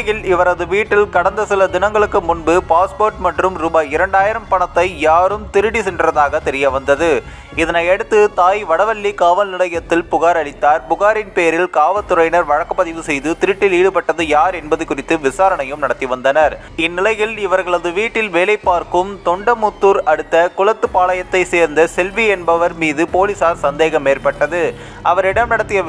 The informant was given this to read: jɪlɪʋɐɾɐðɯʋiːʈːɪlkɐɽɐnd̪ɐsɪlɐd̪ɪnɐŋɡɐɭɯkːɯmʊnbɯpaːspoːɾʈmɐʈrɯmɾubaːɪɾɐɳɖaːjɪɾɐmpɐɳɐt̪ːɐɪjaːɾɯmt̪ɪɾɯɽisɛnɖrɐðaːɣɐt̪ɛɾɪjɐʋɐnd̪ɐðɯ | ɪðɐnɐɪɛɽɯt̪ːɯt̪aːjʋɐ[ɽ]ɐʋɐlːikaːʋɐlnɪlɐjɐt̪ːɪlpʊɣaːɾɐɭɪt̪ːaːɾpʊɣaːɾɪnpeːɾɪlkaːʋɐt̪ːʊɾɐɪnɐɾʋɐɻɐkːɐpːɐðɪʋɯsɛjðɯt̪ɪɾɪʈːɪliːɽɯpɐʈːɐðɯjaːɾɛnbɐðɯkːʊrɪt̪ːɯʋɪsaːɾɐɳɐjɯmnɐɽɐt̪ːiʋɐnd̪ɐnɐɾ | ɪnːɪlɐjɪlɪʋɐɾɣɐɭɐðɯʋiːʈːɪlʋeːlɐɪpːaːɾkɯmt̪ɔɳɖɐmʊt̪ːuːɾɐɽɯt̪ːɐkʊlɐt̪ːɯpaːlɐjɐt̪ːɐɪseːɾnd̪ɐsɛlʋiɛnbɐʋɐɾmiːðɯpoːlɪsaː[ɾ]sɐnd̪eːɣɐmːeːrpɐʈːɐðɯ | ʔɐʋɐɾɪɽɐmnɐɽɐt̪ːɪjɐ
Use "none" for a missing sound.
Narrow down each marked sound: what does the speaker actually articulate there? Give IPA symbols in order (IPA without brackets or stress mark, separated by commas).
ɽ, ɾ